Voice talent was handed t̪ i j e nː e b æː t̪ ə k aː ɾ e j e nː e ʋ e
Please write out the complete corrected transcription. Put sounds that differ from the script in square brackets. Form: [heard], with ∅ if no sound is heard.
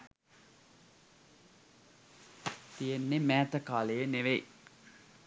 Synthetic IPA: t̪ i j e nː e [m] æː t̪ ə k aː [l] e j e [n] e ʋ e

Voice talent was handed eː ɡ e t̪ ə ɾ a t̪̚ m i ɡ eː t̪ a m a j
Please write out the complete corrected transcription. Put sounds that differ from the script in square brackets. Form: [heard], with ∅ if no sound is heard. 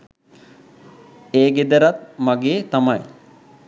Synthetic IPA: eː ɡ e [d̪] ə ɾ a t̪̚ m [a] ɡ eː t̪ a m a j

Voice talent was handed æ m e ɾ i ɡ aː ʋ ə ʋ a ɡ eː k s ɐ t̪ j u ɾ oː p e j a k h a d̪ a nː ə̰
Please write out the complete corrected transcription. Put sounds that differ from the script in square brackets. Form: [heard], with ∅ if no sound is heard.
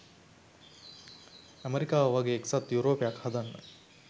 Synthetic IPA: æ m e ɾ i [k] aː ʋ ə ʋ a ɡ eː k s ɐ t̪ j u ɾ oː p e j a k h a d̪ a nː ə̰

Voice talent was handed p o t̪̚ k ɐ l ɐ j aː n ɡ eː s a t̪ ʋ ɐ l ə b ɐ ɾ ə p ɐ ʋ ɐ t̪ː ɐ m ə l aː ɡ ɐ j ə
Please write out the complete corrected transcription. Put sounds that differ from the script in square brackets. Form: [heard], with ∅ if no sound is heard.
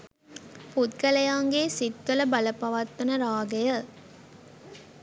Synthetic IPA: p [u] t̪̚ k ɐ l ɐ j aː [ŋ] ɡ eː s [i] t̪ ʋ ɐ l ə b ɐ [l] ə p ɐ ʋ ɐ t̪ː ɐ [n] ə [ɾ] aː ɡ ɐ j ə

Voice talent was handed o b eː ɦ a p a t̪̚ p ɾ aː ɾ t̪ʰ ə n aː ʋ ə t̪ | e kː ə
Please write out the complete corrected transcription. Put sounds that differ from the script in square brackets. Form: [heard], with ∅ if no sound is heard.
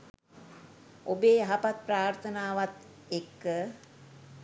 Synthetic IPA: o b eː ɦ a p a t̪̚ p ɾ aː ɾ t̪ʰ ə n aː ʋ [a] t̪ | e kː ə

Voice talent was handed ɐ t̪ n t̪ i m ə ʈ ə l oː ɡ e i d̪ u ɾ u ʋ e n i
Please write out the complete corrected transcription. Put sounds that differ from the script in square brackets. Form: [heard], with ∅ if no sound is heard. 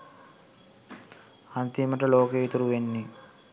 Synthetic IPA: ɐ [∅] n t̪ i m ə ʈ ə l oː [k] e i [t̪] u ɾ u ʋ e [nː] i

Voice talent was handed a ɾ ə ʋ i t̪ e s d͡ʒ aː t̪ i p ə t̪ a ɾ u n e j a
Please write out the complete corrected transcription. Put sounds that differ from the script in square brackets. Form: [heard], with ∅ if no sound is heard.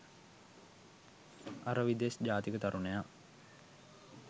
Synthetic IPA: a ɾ ə ʋ i [d̪] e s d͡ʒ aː t̪ i [k] ə t̪ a ɾ u n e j a

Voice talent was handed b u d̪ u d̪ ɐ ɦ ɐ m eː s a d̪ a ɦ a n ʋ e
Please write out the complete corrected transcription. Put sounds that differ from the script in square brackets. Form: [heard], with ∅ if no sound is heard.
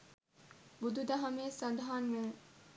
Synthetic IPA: b u d̪ u d̪ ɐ ɦ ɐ m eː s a d̪ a ɦ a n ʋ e

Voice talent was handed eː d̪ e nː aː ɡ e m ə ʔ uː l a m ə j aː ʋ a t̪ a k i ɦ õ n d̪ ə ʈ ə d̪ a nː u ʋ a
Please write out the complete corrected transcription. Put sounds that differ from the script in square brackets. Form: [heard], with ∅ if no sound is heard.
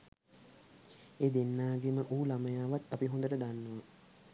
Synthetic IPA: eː d̪ e nː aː ɡ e m ə ʔ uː l a m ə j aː ʋ a t̪ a [p] i ɦ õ n d̪ ə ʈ ə d̪ a nː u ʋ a

